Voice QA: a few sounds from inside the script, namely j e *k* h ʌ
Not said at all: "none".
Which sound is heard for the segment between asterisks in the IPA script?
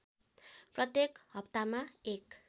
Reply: k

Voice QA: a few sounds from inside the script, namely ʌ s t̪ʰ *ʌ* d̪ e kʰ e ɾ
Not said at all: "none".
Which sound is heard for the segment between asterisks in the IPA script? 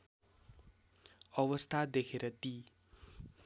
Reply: a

